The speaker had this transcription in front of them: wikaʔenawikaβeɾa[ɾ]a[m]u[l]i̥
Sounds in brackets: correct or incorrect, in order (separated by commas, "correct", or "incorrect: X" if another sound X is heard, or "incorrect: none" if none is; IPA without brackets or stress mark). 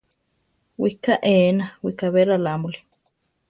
incorrect: l, correct, correct